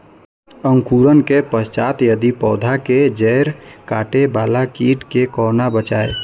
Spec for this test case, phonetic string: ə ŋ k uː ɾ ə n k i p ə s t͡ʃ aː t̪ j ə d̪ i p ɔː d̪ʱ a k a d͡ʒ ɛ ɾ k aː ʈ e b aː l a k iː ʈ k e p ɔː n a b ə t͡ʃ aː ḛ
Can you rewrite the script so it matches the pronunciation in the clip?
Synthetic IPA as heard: ə ŋ k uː ɾ ə n k e p ə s t͡ʃ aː t̪ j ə d̪ i p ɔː d̪ʱ a k e d͡ʒ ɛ ɾ k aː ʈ e b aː l a k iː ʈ k e k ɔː n a b ə t͡ʃ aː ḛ